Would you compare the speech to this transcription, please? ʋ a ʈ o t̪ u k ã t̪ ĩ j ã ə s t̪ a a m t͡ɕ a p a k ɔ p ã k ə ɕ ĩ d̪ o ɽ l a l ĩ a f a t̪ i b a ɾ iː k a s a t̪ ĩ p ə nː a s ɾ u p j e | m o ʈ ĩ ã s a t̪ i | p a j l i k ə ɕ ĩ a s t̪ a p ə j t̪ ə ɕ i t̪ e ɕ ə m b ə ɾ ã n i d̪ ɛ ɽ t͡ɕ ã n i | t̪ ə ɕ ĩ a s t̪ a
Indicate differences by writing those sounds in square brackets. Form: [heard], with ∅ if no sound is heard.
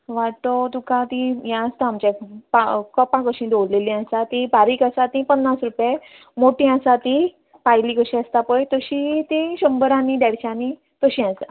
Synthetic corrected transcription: ʋ a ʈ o t̪ u k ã t̪ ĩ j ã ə s t̪ a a m t͡ɕ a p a k ɔ p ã k ə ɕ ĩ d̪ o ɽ l [e] l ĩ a [s] a t̪ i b a ɾ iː k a s a t̪ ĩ p ə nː a s ɾ u p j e | m o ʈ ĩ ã s a t̪ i | p a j l i k ə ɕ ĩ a s t̪ a p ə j t̪ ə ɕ i t̪ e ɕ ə m b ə ɾ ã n i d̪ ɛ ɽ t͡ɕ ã n i | t̪ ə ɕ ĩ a s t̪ a